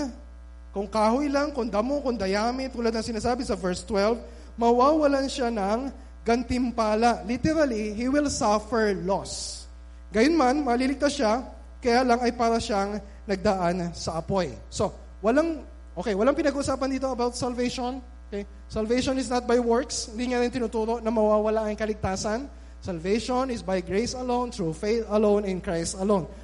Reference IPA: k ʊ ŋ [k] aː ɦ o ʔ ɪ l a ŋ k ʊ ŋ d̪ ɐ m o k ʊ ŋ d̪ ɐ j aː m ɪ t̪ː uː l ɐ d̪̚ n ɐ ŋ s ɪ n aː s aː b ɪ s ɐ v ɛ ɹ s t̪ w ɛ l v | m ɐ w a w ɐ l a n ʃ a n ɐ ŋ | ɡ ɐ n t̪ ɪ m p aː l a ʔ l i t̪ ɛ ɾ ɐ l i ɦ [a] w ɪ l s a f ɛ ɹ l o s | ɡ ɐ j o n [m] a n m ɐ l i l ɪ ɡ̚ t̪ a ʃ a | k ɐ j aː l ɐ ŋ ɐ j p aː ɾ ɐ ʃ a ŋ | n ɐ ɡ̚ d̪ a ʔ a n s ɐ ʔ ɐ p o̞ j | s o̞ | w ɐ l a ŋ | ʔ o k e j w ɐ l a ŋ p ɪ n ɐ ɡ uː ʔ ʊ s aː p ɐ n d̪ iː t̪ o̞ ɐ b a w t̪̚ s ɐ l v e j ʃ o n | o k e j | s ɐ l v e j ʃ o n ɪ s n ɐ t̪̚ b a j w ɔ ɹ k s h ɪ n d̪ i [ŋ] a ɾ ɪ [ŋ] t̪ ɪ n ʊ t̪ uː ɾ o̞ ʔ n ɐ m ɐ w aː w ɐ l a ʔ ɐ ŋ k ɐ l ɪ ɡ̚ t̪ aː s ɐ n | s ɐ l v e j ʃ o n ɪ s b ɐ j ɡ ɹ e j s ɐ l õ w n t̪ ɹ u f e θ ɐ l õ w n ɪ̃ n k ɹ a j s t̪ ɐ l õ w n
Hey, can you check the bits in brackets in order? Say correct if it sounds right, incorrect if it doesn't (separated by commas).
correct, incorrect, correct, correct, incorrect